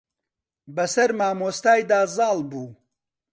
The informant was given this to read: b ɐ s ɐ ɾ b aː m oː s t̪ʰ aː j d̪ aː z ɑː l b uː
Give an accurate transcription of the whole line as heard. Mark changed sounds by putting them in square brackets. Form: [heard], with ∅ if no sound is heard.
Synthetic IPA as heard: b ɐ s ɐ ɾ [m] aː m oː s [t̪] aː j d̪ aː z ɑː l b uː